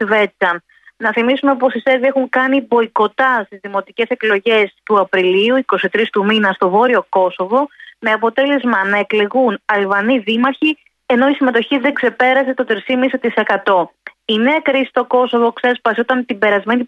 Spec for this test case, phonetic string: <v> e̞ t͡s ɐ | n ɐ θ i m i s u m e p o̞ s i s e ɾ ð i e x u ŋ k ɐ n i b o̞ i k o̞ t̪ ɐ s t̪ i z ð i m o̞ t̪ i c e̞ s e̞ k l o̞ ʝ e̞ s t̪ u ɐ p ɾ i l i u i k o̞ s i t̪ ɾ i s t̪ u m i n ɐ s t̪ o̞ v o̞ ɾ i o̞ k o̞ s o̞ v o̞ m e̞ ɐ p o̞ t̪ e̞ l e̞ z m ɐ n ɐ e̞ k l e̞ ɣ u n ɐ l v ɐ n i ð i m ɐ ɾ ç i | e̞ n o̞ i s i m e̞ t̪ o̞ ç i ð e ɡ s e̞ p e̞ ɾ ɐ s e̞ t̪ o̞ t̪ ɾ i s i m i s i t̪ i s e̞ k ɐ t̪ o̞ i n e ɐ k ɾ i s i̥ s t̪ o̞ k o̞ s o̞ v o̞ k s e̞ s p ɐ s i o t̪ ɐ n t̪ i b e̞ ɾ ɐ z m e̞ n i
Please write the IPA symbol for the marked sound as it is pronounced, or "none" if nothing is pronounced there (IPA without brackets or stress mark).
v